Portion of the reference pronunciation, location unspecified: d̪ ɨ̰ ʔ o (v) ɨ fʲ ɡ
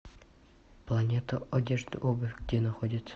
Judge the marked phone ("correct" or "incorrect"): incorrect